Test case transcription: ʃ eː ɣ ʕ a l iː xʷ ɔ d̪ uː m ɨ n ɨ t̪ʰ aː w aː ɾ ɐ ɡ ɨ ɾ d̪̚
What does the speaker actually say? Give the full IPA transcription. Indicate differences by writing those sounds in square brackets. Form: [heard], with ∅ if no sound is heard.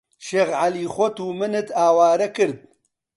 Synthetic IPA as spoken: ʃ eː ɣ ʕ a l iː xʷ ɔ [t̪] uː m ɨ n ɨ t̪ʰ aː w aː ɾ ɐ [k] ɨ ɾ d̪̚